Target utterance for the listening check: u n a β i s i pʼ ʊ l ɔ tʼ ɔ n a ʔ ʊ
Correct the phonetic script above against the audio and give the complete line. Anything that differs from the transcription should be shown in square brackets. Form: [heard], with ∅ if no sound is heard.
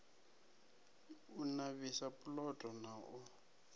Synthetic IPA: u n a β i s [a] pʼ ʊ l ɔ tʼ ɔ n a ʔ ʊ